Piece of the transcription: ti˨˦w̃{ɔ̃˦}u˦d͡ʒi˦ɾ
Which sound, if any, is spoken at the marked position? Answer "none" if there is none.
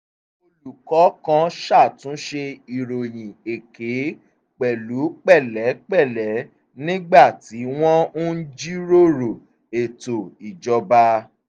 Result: ɔ̃˦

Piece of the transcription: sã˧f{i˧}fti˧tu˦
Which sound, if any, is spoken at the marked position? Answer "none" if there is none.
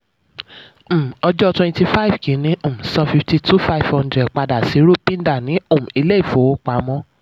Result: i˧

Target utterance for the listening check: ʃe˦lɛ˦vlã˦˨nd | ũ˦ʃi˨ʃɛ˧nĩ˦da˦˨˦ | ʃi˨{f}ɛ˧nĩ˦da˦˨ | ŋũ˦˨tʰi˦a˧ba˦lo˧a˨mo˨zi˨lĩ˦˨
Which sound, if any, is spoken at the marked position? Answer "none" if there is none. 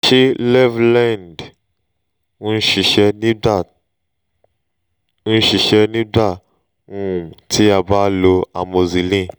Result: ʃ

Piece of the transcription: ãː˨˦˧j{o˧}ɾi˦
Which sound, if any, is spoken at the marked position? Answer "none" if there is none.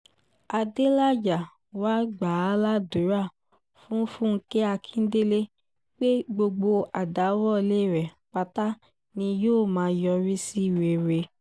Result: ɔ˧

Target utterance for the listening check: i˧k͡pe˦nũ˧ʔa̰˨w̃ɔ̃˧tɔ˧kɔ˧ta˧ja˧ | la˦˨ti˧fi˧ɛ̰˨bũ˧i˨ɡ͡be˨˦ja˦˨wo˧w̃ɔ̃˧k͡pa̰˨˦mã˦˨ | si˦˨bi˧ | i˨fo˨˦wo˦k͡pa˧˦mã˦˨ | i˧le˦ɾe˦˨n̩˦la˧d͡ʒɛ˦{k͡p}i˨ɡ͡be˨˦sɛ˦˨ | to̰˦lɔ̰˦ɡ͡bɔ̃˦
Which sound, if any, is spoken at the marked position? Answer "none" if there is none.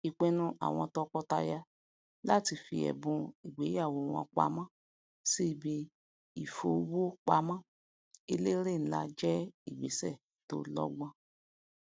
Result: none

